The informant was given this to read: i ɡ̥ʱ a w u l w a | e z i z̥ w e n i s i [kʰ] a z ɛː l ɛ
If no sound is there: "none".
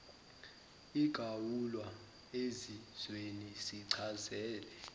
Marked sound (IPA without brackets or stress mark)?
ǀʰ